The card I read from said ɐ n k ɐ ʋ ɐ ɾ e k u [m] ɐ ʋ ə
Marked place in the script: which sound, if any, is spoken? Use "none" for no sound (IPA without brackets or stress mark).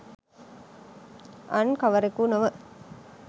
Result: n